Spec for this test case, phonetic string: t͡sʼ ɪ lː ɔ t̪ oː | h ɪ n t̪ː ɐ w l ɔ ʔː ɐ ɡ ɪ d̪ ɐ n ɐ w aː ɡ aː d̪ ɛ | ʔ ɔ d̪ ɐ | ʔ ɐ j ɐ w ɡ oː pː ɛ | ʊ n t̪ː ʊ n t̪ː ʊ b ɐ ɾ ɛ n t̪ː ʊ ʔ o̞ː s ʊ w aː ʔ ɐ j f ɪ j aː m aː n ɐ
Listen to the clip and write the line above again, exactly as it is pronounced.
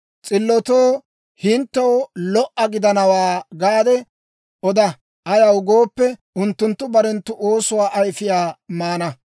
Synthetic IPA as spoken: t͡sʼ ɪ lː ɔ t̪ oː | h ɪ n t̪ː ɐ w l ɔ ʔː ɐ ɡ ɪ d̪ ɐ n ɐ w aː ɡ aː d̪ ɛ | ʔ ɔ d̪ ɐ | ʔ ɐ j ɐ w ɡ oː pː ɛ | ʊ n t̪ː ʊ n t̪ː ʊ b ɐ ɾ ɛ n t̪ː ʊ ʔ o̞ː s ʊ w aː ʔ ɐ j f ɪ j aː m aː n ɐ